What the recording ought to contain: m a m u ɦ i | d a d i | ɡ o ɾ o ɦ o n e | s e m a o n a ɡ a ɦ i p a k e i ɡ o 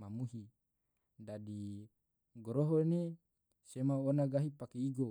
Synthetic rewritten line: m a m u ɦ i | d a d i | ɡ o ɾ o ɦ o n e | s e m a o n a ɡ a ɦ i p a k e i ɡ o